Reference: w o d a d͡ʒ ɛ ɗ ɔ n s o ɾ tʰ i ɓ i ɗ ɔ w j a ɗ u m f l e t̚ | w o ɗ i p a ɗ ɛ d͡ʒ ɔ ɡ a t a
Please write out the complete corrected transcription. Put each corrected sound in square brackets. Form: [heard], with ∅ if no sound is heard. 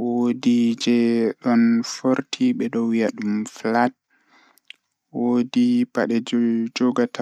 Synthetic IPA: w o d [i] d͡ʒ ɛ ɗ ɔ n [f] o ɾ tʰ i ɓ [ɛ] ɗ ɔ w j a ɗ u m f l [a] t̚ | w o [d] i p a ɗ ɛ d͡ʒ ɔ ɡ a t a